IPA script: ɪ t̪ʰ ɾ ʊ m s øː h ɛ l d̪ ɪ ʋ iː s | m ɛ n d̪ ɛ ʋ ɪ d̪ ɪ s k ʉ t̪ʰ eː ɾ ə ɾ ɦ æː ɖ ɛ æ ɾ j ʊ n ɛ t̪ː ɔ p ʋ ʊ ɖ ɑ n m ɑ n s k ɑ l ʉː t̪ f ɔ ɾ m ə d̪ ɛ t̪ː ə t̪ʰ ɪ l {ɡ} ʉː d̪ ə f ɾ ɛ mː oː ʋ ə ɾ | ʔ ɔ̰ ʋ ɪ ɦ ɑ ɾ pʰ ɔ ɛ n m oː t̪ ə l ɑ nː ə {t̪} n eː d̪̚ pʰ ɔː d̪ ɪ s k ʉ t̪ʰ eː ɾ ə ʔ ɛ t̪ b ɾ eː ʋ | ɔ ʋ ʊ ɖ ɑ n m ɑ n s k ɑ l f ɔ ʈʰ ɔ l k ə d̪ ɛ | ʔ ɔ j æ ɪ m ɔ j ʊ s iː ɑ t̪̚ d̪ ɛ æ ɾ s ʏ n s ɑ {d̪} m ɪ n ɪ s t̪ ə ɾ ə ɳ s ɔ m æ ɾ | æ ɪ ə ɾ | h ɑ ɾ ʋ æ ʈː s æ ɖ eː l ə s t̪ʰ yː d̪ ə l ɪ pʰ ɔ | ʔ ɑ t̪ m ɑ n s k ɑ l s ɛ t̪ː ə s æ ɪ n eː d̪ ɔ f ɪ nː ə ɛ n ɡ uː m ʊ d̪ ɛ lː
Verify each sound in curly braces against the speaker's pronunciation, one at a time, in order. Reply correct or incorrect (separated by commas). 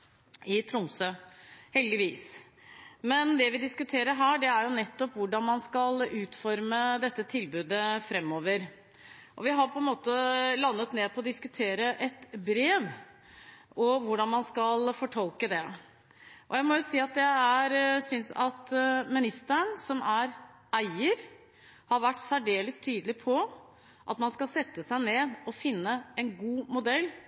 incorrect, correct, incorrect